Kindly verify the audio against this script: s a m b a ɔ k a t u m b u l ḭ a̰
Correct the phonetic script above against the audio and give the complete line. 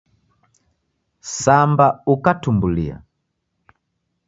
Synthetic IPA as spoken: s a m b a u k a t u m b u l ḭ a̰